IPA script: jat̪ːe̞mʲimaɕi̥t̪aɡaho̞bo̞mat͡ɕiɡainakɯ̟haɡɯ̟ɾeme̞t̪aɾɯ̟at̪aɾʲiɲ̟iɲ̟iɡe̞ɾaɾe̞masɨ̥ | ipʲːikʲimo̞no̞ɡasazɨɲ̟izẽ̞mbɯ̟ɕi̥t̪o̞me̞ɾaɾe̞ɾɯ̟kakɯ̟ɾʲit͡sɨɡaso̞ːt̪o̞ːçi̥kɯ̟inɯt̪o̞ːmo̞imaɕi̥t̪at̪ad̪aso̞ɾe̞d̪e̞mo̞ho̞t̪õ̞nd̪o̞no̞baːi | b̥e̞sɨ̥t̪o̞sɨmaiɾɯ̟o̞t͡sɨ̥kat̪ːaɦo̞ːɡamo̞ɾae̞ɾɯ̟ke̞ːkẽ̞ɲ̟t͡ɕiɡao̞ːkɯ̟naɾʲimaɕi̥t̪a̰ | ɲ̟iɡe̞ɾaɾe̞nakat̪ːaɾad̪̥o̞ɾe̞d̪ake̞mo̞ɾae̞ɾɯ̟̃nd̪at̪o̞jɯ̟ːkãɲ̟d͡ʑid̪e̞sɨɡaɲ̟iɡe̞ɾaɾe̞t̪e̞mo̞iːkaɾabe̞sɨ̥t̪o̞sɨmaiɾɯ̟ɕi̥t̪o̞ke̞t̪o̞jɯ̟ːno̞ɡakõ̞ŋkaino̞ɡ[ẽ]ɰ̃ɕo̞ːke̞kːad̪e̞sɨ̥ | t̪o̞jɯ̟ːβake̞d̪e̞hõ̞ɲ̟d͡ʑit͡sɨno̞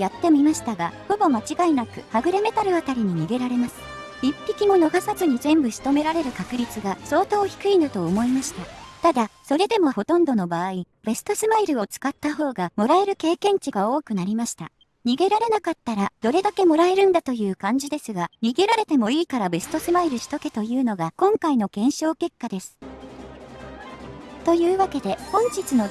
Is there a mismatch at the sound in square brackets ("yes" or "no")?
no